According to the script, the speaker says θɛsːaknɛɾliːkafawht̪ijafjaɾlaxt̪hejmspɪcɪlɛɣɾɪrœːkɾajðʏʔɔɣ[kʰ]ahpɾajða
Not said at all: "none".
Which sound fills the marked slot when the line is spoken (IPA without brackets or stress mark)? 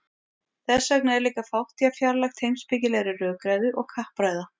kʰ